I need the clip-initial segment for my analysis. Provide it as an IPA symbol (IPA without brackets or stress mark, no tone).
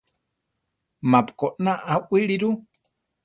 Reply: m